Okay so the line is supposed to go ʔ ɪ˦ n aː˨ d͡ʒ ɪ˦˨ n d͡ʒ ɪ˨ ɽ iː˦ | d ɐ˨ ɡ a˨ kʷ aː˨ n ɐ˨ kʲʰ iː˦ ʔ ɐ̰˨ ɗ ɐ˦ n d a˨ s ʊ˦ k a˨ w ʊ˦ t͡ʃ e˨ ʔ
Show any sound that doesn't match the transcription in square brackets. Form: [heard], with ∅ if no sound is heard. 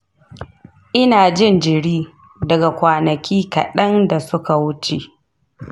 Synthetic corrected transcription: ʔ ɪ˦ n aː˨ d͡ʒ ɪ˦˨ n d͡ʒ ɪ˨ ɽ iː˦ | d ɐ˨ ɡ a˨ kʷ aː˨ n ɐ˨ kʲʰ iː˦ [k] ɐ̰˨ ɗ ɐ˦ n d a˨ s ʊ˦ k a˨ w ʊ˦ t͡ʃ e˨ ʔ